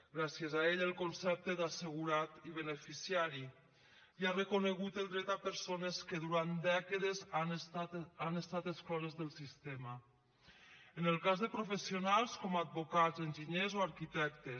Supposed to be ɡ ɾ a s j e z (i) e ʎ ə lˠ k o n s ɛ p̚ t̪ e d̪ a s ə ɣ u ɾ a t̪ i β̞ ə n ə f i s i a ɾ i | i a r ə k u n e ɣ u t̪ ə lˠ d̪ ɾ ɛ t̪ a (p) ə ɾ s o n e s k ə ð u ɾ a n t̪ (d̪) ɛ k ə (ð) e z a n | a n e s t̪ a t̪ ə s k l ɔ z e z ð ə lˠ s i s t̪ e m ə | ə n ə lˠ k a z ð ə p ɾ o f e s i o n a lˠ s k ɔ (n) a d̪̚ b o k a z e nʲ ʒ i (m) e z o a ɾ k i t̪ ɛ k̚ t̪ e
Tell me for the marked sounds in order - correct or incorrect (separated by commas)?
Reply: incorrect, correct, correct, correct, incorrect, incorrect